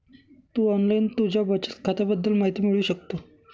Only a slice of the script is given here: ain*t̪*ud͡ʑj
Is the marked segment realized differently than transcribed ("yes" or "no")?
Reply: no